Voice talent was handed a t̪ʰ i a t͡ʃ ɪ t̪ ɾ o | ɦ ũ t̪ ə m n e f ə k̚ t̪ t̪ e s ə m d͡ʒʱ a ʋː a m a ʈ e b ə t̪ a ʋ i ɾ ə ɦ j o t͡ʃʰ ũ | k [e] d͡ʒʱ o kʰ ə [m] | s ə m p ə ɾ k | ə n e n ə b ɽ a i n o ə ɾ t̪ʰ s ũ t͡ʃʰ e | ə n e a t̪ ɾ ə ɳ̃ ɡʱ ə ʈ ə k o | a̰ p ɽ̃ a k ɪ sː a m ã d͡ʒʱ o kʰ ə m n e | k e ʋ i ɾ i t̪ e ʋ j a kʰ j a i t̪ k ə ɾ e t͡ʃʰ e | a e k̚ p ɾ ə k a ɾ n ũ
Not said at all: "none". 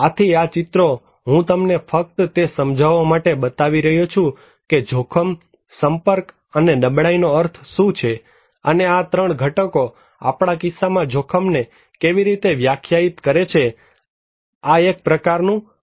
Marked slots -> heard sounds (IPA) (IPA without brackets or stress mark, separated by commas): e, m